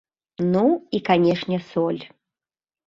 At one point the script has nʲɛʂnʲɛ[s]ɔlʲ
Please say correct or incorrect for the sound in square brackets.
correct